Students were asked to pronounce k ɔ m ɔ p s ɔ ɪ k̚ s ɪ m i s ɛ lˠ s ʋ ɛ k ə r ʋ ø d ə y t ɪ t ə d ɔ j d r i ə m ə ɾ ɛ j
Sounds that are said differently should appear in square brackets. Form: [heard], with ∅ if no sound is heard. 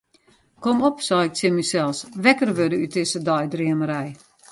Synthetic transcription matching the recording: k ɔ m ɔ p s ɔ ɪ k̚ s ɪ m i s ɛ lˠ s ʋ ɛ k ə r ʋ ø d ə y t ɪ [s] ə d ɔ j d r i ə m ə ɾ ɛ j